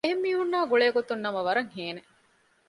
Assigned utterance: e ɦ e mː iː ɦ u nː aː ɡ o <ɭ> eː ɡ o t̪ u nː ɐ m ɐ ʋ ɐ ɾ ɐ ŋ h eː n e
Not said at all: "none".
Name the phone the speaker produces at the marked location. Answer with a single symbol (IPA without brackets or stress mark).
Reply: ɭ